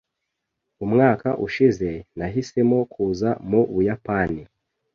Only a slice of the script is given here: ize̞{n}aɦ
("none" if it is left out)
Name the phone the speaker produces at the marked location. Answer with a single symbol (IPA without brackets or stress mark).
n